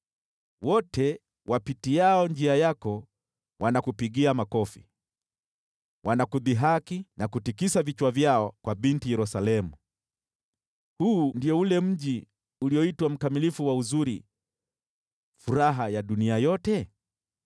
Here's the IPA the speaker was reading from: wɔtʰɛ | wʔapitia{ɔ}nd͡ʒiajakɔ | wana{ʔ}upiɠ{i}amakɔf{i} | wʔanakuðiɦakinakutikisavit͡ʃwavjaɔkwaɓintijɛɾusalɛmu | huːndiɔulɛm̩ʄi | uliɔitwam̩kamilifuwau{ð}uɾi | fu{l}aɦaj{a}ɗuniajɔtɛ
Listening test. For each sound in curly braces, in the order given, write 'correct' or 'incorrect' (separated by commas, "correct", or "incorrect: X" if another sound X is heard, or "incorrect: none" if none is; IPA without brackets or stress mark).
correct, incorrect: k, correct, correct, incorrect: z, incorrect: ɾ, correct